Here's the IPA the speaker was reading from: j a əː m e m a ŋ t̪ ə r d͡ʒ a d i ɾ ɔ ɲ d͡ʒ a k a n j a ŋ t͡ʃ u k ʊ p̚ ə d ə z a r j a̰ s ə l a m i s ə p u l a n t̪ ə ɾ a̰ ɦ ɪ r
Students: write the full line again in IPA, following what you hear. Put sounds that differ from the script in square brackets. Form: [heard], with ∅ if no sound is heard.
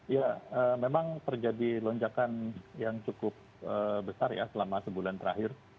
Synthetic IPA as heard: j a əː m e m a ŋ t̪ ə r d͡ʒ a d i [l] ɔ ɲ d͡ʒ a k a n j a ŋ t͡ʃ u k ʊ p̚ ə [b] ə [s] a r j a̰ s ə l a m [a] s ə [b] u l a n t̪ ə ɾ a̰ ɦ ɪ r